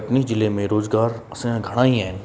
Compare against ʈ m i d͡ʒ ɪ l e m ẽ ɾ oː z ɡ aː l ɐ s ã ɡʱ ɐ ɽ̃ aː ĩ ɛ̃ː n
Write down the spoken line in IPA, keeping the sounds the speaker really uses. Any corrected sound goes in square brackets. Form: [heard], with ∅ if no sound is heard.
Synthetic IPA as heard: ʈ [n] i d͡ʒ ɪ l e m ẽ ɾ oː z ɡ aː [ɾ] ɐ s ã ɡʱ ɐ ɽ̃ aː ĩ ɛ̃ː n